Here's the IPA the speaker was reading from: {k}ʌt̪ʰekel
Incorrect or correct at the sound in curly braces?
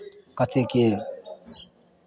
correct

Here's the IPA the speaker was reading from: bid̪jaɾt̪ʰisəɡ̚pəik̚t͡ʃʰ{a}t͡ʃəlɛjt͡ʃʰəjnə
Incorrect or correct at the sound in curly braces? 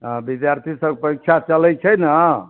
correct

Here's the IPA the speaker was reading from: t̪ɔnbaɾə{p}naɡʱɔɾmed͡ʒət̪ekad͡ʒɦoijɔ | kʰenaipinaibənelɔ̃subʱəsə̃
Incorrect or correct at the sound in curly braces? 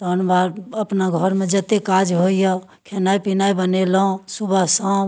correct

